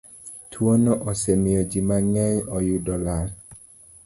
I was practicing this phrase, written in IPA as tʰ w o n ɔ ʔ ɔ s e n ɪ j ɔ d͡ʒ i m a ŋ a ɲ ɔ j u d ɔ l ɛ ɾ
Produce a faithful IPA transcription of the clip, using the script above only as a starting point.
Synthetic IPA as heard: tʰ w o n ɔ ʔ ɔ s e m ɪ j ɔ d͡ʒ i m a ŋ ɛ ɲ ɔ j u d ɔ l a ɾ